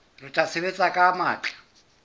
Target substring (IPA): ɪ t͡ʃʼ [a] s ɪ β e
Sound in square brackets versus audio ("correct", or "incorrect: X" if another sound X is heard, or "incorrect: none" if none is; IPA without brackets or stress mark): correct